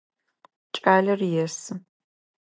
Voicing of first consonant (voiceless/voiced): voiceless